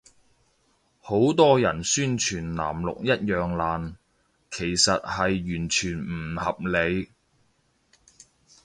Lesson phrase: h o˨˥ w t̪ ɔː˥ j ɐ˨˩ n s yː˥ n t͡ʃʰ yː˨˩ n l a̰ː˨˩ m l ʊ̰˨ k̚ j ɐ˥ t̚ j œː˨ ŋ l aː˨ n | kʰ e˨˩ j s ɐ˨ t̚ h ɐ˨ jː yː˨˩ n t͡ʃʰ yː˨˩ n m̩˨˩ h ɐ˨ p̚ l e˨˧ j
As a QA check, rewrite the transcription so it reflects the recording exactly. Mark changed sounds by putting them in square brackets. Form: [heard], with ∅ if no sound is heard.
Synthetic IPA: h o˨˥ w t̪ ɔː˥ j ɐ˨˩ n s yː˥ n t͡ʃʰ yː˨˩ n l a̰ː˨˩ m l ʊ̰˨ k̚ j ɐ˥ t̚ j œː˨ ŋ l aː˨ n | kʰ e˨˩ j s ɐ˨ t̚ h ɐ˨ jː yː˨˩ n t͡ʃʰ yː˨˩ n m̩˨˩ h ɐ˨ p̚ l e˨˧ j

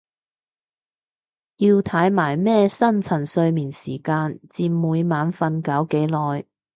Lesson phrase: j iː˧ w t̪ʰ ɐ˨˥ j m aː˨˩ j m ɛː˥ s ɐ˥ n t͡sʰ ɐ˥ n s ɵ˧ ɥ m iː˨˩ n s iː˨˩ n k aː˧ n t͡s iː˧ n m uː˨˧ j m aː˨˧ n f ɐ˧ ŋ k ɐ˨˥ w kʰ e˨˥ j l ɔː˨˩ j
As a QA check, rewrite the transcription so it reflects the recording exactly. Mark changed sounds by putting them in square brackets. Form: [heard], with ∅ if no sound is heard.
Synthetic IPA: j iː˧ w t̪ʰ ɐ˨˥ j m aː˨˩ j m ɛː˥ s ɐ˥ n t͡sʰ [ɐ˨˩] n s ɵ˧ ɥ m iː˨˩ n s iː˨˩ [∅] k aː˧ n t͡s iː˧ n m uː˨˧ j m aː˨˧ n f ɐ˧ [n] k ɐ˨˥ w [k] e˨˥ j l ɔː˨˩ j

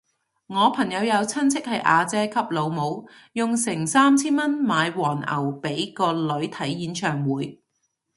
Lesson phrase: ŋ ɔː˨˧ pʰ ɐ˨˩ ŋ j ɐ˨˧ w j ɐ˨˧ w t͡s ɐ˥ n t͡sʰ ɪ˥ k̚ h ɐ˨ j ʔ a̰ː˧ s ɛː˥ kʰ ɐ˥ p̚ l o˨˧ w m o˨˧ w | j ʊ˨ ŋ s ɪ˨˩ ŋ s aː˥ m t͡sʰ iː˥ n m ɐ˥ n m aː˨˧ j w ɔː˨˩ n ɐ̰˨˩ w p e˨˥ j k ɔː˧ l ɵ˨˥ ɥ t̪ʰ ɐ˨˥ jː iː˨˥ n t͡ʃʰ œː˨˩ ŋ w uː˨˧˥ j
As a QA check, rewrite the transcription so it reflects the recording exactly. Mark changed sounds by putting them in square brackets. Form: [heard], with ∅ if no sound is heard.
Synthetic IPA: ŋ ɔː˨˧ pʰ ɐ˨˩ ŋ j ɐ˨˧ w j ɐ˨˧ w [t͡sʰ] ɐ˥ n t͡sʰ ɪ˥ k̚ h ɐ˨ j ʔ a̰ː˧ [t͡s] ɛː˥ kʰ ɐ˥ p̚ l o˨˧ w m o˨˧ w | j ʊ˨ ŋ s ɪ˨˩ ŋ s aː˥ m t͡sʰ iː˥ n m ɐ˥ n m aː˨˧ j w ɔː˨˩ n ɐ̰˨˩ w p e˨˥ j k ɔː˧ l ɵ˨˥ ɥ t̪ʰ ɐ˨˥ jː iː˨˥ n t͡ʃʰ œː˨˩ ŋ w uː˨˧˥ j

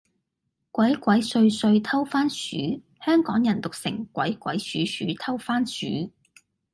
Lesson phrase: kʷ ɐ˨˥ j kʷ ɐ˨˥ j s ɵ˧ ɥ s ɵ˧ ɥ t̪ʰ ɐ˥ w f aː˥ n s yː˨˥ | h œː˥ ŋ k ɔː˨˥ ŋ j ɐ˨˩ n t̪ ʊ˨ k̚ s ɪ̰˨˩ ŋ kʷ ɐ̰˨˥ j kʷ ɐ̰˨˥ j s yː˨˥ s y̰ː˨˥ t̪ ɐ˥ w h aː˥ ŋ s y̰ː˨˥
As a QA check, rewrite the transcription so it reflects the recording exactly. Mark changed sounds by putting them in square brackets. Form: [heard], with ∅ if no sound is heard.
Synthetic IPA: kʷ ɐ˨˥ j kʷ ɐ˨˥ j s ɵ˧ ɥ s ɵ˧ ɥ t̪ʰ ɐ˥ w f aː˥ n s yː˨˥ | h œː˥ ŋ k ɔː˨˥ ŋ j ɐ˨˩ n t̪ ʊ˨ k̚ s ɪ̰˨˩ ŋ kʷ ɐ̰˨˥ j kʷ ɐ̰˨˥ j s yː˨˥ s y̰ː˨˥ [t̪ʰ] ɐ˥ w [f] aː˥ [n] s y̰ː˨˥

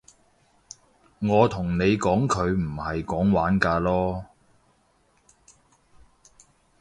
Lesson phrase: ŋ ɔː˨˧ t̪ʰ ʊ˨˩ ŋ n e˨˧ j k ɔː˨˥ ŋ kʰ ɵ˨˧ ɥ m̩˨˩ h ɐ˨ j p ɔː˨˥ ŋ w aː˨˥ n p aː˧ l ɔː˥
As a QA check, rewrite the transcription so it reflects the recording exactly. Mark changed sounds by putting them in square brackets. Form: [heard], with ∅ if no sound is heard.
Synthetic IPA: ŋ ɔː˨˧ t̪ʰ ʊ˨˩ ŋ n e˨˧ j k ɔː˨˥ ŋ kʰ ɵ˨˧ ɥ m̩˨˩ h ɐ˨ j [k] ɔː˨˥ ŋ w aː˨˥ n [k] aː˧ l ɔː˥

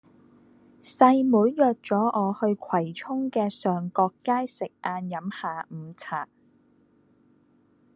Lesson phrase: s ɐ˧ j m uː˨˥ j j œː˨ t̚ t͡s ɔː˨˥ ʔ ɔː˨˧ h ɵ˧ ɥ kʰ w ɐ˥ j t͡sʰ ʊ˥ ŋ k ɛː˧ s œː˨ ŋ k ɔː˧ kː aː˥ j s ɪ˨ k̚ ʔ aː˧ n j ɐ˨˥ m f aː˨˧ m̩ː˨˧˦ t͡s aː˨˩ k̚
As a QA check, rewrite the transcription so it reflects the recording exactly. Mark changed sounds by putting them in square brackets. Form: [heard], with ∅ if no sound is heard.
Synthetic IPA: s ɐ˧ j m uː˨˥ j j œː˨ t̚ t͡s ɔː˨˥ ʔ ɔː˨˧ h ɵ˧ ɥ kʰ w [ɐ˨˩] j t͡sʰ ʊ˥ ŋ k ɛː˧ s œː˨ ŋ k ɔː˧ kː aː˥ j s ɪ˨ k̚ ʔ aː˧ n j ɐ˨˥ m [h] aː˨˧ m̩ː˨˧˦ [t͡sʰ] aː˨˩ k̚

